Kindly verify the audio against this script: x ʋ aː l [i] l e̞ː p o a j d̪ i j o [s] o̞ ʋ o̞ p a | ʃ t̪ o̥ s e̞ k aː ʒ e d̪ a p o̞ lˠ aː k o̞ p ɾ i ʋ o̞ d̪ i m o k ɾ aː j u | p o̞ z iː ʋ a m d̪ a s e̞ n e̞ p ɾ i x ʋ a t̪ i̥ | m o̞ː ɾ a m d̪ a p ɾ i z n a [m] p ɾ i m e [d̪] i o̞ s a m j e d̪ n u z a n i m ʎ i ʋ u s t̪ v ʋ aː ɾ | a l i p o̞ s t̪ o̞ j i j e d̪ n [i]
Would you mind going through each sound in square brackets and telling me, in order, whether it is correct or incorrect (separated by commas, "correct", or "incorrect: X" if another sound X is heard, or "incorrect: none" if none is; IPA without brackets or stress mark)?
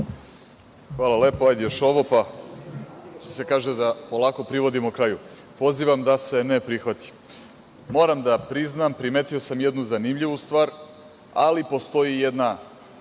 incorrect: a, incorrect: ʃ, correct, incorrect: t̪, incorrect: a